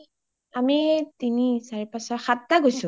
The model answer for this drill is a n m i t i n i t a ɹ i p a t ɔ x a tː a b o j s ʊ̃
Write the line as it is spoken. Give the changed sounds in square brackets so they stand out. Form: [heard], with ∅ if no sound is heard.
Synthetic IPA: a [∅] m i t i n i [s] a ɹ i p a [s] ɔ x a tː a [ɡ] o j s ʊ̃